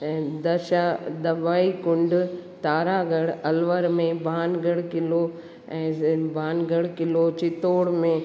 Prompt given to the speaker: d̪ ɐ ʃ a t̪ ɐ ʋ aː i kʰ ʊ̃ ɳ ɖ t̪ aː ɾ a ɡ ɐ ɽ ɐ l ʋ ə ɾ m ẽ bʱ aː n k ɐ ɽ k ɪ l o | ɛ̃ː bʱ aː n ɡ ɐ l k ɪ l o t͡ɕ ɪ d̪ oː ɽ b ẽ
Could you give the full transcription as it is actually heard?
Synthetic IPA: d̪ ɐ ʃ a d̪ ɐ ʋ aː i k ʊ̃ ɳ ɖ t̪ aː ɾ a ɡ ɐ ɽ ɐ l ʋ ə ɾ m ẽ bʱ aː n ɡ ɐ ɽ k ɪ l o | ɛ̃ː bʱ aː n ɡ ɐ ɽ k ɪ l o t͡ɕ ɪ t̪ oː ɽ m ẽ

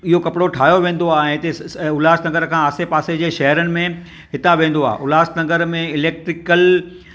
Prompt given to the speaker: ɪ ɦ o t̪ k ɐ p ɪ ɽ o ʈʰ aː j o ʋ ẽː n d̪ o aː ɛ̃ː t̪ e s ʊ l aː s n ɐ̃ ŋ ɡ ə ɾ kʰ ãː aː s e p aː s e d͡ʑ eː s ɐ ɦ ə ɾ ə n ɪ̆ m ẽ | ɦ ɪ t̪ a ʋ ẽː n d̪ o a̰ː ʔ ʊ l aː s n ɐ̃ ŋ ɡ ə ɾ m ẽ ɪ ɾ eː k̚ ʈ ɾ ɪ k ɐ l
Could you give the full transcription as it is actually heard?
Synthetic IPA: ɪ ɦ o k ɐ p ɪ ɽ o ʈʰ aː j o ʋ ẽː n d̪ o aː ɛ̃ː t̪ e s ʊ l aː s n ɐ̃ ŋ ɡ ə ɾ kʰ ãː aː s e p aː s e d͡ʑ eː ʃ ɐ ɦ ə ɾ ə n ɪ̆ m ẽ | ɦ ɪ t̪ a ʋ ẽː n d̪ o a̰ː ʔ ʊ l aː s n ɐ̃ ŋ ɡ ə ɾ m ẽ ɪ l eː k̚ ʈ ɾ ɪ k ə l

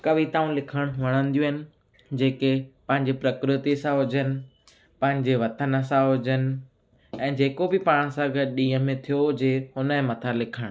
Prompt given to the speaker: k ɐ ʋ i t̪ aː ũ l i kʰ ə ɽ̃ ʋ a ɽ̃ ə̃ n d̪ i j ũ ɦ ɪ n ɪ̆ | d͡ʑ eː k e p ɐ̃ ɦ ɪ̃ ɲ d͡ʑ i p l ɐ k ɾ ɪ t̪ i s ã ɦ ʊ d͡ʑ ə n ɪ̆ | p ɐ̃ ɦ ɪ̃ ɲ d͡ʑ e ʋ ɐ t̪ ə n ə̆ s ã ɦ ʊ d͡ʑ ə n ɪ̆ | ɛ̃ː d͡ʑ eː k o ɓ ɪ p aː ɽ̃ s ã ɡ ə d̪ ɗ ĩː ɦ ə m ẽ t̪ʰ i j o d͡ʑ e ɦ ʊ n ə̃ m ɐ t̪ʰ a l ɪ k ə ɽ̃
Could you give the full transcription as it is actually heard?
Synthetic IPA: k ɐ ʋ i t̪ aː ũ l ɪ kʰ ə ɽ̃ ʋ ɐ ɽ̃ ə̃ n d̪ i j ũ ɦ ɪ n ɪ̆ | d͡ʑ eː k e p ɐ̃ ɦ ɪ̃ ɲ d͡ʑ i p ɾ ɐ k ɾ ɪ t̪ i s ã ɦ ʊ d͡ʑ ə n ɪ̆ | p ɐ̃ ɦ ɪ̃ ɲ d͡ʑ e ʋ ɐ t̪ ə n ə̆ s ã ɦ ʊ d͡ʑ ə n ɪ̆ | ɛ̃ː d͡ʑ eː k o b ɪ p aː ɽ̃ s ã ɡ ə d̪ ɗ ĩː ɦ ə m ẽ t̪ʰ i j o d͡ʑ e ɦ ʊ n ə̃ m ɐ t̪ʰ a l ɪ kʰ ə ɽ̃

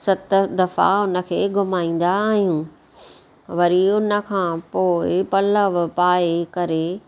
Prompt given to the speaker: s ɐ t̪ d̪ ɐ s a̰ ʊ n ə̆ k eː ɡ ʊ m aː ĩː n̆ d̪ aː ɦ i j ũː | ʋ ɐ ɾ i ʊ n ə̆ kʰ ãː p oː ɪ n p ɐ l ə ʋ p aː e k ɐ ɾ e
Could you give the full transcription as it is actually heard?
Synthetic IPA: s ɐ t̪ d̪ ɐ f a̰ ʊ n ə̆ kʰ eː ɡ ʊ m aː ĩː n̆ d̪ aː ɦ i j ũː | ʋ ɐ ɾ i ʊ n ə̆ kʰ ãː p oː ɪ p ɐ l ə ʋ p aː e k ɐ ɾ e

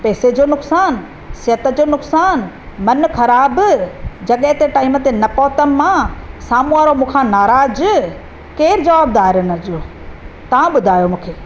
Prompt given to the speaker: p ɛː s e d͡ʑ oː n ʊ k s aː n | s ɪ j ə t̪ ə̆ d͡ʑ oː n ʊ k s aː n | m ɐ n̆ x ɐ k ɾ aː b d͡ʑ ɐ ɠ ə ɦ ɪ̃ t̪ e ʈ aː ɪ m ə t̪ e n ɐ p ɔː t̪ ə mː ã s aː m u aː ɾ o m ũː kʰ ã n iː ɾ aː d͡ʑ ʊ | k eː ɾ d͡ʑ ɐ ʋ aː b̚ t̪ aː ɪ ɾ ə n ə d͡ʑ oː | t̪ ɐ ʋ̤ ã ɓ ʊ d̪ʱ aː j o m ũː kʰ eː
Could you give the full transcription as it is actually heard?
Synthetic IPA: p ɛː s e d͡ʑ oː n ʊ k s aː n | s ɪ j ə t̪ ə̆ d͡ʑ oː n ʊ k s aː n | m ɐ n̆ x ɐ ɾ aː b d͡ʑ ɐ ɠ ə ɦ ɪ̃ t̪ e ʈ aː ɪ m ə t̪ e n ɐ p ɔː t̪ ə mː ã s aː m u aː ɾ o m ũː kʰ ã n aː ɾ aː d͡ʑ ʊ | k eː ɾ d͡ʑ ɐ ʋ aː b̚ d̪ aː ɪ ɾ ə n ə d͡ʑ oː | t̪ ɐ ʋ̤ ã ɓ ʊ d̪ʱ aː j o m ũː kʰ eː

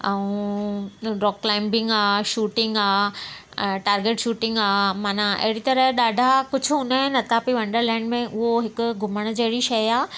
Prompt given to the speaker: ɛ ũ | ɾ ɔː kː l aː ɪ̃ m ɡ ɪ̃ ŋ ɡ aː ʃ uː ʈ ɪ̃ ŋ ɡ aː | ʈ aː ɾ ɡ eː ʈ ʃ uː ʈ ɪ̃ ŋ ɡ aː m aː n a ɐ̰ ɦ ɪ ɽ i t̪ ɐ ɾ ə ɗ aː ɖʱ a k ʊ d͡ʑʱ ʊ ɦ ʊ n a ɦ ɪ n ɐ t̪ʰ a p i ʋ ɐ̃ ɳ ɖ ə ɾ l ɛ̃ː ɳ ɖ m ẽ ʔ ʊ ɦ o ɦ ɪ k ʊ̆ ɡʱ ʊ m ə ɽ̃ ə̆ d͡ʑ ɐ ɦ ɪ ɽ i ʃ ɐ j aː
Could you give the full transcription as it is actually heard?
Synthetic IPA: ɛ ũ | ɾ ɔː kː l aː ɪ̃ m b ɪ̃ ŋ ɡ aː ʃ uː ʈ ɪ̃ ŋ ɡ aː | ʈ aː ɾ ɡ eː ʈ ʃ uː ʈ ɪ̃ ŋ ɡ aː m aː n a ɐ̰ ɦ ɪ ɽ i t̪ ɐ ɾ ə ɗ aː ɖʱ a k ʊ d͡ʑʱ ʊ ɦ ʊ n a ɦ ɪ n ɐ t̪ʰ a p i ʋ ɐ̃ ɳ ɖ ə ɾ l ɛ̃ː ɳ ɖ m ẽ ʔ ʊ ɦ o ɦ ɪ k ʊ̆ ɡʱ ʊ m ə ɽ̃ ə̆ d͡ʑ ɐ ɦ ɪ ɽ i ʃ ɐ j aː

